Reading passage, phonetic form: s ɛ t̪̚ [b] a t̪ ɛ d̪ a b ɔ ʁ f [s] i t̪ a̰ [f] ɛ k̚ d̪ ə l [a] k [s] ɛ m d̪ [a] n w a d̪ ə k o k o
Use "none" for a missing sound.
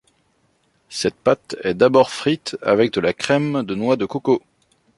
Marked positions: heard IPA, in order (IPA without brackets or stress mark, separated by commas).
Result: p, χ, v, a, χ, ə